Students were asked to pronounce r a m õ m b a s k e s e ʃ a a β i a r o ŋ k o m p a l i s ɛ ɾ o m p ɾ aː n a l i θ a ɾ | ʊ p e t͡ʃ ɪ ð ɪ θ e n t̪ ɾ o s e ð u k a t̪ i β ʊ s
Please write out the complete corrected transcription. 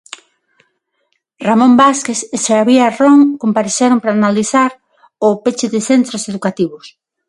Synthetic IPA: r a m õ m b a s k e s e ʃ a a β i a r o ŋ k o m p a ɾ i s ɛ ɾ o m p ɾ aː n a l i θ a ɾ | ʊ p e t͡ʃ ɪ ð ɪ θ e n t̪ ɾ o s e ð u k a t̪ i β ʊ s